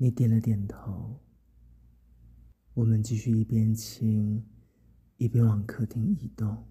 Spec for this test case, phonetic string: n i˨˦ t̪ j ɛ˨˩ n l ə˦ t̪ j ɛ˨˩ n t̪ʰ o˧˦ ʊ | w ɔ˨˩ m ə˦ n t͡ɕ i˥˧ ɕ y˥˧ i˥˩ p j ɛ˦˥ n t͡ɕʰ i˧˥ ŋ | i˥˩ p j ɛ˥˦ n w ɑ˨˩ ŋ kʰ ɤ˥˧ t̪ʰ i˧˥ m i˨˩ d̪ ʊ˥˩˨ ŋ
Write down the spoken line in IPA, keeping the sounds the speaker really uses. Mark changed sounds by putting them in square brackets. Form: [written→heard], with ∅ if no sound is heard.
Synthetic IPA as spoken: n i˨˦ t̪ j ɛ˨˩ n l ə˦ t̪ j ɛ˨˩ n t̪ʰ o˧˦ ʊ | w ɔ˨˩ m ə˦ n t͡ɕ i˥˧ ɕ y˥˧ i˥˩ p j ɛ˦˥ n t͡ɕʰ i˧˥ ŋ | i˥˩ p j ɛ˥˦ n w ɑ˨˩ ŋ kʰ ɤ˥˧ t̪ʰ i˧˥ [m→ŋ] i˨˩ [d̪→t̪] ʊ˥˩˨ ŋ